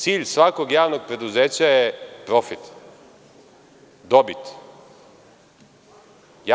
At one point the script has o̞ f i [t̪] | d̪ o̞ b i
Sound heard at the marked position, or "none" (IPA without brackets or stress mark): t̪